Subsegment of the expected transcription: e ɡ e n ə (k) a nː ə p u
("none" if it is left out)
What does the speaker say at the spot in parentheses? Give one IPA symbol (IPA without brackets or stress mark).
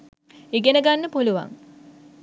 ɡ